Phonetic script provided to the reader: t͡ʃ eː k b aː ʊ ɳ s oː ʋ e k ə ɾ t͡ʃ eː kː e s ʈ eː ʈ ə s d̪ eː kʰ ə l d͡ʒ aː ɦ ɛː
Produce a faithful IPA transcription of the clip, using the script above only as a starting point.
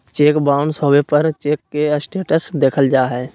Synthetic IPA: t͡ʃ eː k b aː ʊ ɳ s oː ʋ e p ə ɾ t͡ʃ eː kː e s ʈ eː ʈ ə s d̪ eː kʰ ə l d͡ʒ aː ɦ ɛː